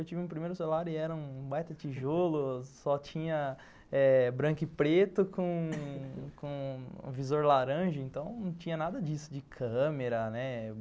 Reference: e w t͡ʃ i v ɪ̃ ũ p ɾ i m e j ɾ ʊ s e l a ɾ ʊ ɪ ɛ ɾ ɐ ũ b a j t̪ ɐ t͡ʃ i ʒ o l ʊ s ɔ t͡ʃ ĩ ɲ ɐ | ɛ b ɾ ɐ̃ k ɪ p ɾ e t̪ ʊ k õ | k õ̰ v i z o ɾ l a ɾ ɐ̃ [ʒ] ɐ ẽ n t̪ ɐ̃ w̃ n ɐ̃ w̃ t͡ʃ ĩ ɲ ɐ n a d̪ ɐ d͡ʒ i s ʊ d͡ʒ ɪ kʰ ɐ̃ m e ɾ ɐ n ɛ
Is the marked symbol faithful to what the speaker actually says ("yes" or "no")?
yes